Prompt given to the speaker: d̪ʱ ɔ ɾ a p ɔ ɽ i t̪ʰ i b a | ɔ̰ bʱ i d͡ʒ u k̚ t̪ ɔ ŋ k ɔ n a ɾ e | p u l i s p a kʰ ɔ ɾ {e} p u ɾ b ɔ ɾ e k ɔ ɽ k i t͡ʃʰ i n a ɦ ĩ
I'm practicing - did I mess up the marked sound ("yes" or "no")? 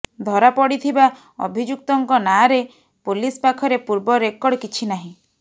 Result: no